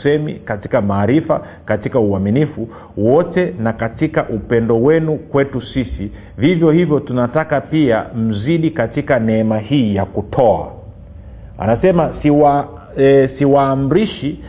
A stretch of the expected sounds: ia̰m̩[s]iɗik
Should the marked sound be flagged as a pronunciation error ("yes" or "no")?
yes